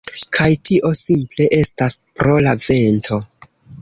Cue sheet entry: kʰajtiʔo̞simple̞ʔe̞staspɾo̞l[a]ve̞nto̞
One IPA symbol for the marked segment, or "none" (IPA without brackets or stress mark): a